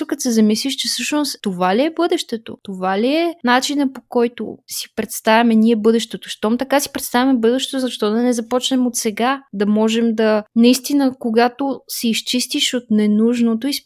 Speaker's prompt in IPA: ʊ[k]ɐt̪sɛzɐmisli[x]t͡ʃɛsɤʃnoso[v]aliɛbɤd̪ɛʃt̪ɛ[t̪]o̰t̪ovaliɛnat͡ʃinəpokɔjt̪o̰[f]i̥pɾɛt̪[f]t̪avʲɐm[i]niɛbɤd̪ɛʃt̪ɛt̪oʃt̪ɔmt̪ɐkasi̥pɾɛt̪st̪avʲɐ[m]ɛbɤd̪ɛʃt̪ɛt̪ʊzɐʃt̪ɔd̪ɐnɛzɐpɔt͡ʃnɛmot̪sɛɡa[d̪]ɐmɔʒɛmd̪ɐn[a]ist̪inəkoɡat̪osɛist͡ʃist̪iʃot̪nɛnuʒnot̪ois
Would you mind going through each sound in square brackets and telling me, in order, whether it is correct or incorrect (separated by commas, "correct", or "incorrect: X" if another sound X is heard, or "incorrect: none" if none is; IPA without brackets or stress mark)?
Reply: correct, incorrect: ʃ, correct, correct, incorrect: s, incorrect: s, incorrect: ɛ, correct, correct, incorrect: ɐ